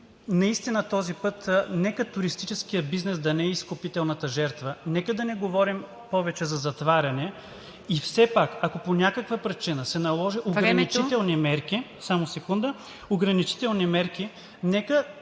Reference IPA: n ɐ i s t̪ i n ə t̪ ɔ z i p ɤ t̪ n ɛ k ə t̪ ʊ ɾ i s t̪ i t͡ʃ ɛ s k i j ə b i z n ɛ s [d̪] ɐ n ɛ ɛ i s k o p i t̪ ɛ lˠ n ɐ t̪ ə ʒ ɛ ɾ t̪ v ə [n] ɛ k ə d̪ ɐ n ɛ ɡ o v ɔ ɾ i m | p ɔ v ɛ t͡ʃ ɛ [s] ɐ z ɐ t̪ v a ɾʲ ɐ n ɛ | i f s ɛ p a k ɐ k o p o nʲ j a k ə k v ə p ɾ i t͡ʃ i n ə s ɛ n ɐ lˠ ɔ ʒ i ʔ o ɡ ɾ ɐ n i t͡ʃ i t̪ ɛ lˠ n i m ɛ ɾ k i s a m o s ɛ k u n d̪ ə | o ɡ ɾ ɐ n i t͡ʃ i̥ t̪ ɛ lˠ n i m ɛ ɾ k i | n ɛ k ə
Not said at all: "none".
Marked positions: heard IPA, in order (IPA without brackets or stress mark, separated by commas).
d̪, n, z